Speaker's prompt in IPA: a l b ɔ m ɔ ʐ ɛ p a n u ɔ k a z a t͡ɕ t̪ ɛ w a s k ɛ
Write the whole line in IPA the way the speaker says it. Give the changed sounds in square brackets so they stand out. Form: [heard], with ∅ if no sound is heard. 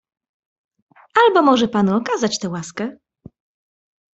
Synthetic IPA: a l b ɔ m ɔ ʐ ɛ p a n u ɔ k a z a t͡ɕ t̪ ɛ w a s k ɛ

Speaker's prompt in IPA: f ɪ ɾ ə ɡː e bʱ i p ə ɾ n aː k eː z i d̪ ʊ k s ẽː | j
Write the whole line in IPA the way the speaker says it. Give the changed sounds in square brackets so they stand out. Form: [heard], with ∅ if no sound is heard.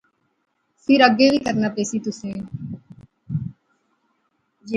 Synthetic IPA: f ɪ ɾ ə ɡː e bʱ i [k] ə ɾ n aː [p] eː [s] i [t̪] ʊ [∅] s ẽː | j

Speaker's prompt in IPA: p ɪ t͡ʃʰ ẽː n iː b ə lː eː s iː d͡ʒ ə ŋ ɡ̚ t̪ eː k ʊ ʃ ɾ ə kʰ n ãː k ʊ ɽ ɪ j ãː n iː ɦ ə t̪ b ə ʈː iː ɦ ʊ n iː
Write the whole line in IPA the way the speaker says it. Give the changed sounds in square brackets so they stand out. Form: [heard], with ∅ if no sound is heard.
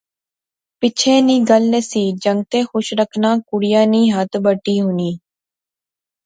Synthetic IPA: p ɪ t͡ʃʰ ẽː n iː [ɡ] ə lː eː s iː d͡ʒ ə ŋ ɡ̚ t̪ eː [x] ʊ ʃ ɾ ə kʰ n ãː k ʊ ɽ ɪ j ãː n iː ɦ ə t̪ b ə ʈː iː ɦ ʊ n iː

